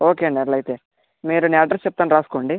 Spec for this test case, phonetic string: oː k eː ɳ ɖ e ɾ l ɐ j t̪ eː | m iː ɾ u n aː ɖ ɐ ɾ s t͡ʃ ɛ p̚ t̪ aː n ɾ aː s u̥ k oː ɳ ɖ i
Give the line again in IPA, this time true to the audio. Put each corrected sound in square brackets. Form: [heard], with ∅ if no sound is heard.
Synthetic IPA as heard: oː k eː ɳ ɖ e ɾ l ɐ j t̪ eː | m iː ɾ u n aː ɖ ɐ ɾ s t͡ʃ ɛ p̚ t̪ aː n ɾ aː s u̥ k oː ɳ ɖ i